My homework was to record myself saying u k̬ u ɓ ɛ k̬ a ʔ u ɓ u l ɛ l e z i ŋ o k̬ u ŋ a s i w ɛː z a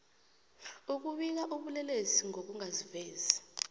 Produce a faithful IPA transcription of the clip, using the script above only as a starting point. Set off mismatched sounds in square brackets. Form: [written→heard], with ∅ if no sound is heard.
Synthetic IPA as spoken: u k̬ u ɓ [ɛ→i] k̬ a ʔ u ɓ u l ɛ l e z i ŋ o k̬ u ŋ a [s→z] i [w→v] ɛː z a